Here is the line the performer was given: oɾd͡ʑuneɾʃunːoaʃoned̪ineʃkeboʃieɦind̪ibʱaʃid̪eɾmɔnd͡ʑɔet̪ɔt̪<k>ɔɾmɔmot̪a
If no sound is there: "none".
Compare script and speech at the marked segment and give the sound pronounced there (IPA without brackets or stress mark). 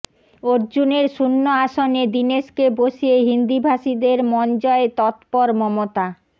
p